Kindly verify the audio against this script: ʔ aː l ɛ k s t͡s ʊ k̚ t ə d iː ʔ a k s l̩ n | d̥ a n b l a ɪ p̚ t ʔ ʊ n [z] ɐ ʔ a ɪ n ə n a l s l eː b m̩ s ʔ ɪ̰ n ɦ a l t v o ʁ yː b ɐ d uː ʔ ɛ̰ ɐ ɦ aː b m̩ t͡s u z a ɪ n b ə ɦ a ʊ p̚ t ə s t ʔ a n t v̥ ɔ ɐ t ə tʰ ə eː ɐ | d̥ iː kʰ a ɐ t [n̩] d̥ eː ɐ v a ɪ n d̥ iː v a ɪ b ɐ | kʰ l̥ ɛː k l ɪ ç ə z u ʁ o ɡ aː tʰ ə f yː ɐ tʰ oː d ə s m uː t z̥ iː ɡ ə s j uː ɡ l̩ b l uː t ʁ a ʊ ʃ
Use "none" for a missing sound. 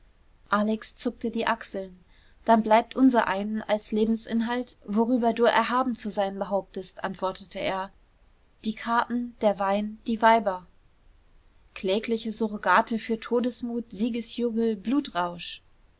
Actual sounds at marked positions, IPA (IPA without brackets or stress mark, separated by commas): z, n̩